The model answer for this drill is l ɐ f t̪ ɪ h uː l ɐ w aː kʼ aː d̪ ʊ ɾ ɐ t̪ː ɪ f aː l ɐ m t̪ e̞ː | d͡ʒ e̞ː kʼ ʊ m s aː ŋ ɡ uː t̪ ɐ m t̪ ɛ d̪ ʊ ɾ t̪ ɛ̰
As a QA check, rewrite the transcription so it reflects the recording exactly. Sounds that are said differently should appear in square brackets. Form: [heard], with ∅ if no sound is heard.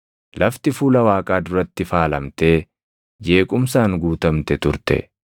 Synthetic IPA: l ɐ f t̪ ɪ [f] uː l ɐ w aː kʼ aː d̪ ʊ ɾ ɐ t̪ː ɪ f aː l ɐ m t̪ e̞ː | d͡ʒ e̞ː kʼ ʊ m s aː ŋ ɡ uː t̪ ɐ m t̪ ɛ [t̪] ʊ ɾ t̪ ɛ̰